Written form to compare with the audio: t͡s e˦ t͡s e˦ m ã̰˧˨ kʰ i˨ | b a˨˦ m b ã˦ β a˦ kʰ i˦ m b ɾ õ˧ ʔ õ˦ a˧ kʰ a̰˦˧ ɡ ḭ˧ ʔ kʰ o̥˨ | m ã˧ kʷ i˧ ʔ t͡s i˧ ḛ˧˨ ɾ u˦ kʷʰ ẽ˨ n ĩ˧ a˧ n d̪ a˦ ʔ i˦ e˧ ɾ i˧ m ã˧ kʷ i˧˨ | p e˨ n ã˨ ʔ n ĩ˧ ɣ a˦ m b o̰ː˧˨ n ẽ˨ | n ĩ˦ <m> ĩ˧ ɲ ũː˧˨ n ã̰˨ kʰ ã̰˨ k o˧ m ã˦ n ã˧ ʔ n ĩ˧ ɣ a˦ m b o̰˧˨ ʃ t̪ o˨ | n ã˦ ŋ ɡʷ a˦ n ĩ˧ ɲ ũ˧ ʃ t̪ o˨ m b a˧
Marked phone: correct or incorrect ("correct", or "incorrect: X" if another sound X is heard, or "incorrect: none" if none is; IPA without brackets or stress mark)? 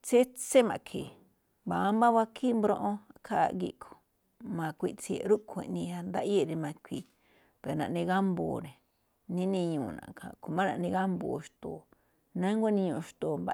incorrect: n